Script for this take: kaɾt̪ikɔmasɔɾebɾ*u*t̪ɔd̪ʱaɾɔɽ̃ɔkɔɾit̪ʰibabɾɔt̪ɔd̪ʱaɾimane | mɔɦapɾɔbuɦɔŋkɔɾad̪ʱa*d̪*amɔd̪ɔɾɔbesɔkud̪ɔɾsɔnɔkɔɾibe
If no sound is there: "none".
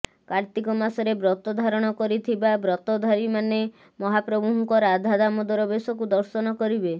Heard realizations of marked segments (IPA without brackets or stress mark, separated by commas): ɔ, d̪